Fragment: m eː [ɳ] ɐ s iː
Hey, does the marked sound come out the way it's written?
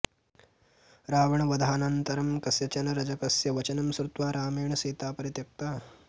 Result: yes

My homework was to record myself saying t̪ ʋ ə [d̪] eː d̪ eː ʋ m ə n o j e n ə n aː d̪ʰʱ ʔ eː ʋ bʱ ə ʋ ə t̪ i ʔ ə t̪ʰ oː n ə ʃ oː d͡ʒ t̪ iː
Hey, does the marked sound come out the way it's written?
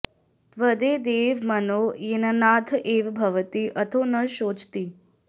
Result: yes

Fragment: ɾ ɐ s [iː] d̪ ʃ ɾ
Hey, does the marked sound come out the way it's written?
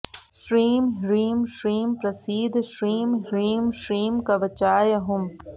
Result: yes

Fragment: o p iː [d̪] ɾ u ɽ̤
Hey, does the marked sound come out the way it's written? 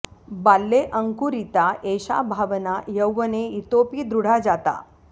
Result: yes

